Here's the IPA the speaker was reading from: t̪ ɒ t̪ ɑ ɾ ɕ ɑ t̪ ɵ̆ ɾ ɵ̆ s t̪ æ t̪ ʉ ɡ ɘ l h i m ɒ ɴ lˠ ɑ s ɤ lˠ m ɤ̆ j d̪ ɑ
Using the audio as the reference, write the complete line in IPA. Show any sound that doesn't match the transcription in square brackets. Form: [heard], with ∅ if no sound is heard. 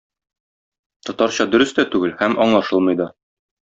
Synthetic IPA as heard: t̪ ɒ t̪ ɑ ɾ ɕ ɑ [d̪] ɵ̆ ɾ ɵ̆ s t̪ æ t̪ ʉ ɡ ɘ l h [æ] m ɒ ɴ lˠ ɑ [ʃ] ɤ lˠ m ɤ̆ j d̪ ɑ